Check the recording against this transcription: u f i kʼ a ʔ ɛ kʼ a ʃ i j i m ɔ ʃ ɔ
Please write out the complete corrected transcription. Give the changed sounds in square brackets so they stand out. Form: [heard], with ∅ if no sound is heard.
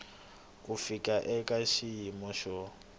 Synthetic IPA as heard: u f i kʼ a ʔ ɛ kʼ a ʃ i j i m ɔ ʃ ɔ